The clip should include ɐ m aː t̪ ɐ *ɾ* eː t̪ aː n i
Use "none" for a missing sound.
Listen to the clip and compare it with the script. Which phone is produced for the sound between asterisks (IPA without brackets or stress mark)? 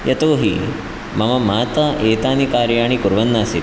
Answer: none